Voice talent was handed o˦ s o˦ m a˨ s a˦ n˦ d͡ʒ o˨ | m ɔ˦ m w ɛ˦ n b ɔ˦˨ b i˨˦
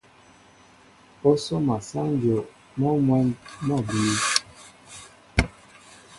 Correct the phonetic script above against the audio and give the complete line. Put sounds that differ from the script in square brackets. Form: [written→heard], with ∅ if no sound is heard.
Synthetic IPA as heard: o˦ s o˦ m a˨ s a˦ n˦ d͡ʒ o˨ | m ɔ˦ m w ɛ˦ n [b→m] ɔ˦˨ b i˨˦